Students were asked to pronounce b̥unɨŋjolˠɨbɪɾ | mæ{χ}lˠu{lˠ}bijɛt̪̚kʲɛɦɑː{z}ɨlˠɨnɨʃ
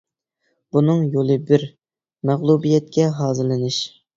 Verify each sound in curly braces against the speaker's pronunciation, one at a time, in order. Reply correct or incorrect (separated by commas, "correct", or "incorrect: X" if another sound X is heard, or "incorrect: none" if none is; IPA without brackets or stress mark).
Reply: incorrect: ʁ, incorrect: none, correct